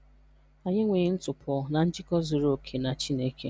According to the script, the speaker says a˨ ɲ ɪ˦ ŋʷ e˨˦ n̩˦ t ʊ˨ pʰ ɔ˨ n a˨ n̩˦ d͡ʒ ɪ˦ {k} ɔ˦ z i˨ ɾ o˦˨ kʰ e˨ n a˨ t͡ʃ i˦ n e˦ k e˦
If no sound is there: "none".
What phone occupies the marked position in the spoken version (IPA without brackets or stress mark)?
k